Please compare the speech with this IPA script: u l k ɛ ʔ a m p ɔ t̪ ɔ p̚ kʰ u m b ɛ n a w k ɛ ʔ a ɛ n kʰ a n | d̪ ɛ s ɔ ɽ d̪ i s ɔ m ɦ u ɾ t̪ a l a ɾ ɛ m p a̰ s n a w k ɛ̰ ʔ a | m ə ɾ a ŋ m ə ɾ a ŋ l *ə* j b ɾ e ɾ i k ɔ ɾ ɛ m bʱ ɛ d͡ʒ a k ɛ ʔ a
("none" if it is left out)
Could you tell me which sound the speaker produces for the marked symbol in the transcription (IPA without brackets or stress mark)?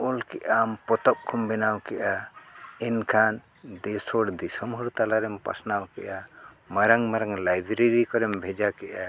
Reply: a